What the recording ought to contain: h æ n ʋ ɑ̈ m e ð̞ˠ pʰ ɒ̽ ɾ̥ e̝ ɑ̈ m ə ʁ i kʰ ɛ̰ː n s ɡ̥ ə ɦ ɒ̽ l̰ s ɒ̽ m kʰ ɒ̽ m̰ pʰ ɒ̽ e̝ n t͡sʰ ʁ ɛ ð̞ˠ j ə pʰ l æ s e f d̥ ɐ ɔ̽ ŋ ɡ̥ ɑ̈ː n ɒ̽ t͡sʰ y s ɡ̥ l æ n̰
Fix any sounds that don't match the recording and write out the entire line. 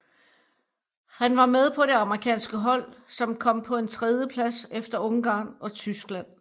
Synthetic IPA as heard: h æ n ʋ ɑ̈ m e ð̞ˠ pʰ ɒ̽ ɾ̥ e̝ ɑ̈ m ə ʁ i kʰ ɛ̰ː n s ɡ̥ ə ɦ ɒ̽ l̰ s ɒ̽ m kʰ ɒ̽ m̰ pʰ ɒ̽ e̝ n t͡sʰ ʁ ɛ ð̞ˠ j ə pʰ l æ s e f d̥ ɐ ɔ̽ ŋ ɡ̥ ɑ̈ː n ɒ̽ t͡sʰ y s ɡ̥ l æ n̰